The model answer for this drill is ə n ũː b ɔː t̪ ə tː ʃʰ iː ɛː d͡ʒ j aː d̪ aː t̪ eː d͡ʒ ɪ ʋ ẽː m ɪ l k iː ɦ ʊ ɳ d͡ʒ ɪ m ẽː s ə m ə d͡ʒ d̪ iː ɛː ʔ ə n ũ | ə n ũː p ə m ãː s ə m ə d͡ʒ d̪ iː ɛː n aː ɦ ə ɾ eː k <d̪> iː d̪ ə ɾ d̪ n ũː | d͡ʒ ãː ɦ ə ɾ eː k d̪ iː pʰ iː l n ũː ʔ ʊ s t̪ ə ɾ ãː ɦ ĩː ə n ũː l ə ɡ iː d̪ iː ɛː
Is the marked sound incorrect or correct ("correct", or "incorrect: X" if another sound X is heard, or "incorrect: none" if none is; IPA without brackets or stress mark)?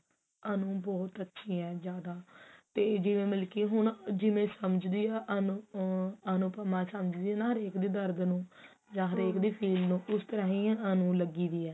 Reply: correct